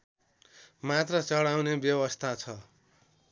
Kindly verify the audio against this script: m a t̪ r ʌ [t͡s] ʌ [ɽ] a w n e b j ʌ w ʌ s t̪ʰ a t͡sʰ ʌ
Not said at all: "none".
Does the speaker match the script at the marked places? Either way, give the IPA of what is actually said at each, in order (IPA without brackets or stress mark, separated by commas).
t͡s, ɽ